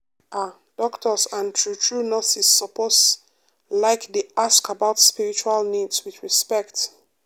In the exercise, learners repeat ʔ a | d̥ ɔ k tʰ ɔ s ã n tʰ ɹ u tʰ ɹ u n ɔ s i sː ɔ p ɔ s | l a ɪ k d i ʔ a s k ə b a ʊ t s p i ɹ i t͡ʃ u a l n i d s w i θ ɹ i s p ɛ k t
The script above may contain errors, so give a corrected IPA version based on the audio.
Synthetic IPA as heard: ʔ a | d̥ ɔ k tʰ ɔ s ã n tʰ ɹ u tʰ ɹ u n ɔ s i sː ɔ p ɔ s | l a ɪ k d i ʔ a s k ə b a ʊ t s p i ɹ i t͡ʃ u a l n i d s w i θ ɹ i s p ɛ k t